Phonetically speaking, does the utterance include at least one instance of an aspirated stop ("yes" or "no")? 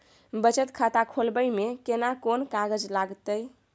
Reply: yes